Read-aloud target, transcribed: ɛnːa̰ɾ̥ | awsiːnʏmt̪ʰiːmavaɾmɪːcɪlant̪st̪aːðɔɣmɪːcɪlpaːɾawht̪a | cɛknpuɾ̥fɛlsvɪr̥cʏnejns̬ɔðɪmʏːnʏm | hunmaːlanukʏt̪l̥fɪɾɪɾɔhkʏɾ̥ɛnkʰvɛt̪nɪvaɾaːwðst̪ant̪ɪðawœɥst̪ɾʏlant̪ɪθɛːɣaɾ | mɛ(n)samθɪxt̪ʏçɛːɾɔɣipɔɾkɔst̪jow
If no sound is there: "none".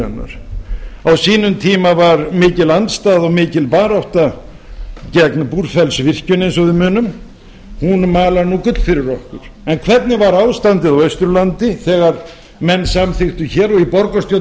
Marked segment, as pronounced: nː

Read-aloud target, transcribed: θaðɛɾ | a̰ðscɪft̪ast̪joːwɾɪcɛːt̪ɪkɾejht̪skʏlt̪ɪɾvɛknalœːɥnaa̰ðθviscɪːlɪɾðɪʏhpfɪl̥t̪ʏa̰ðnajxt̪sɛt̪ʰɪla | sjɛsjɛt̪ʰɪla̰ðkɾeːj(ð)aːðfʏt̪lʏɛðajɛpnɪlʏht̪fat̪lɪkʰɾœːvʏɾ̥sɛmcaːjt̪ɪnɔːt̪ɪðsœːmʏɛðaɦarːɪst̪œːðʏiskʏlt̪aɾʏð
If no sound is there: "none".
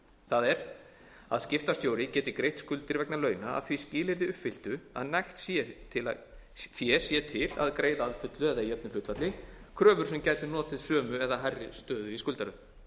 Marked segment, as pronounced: ð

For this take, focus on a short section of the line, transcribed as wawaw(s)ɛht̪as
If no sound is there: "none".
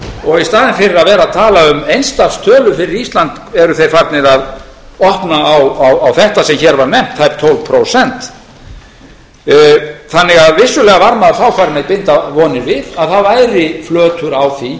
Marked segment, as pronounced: θ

